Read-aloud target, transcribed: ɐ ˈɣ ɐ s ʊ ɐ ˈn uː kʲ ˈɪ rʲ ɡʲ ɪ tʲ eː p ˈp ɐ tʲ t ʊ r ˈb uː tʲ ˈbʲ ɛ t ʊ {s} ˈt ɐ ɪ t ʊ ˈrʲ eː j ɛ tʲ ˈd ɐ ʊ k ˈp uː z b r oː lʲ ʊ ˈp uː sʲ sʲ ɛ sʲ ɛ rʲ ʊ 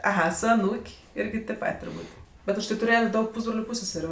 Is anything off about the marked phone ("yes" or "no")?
yes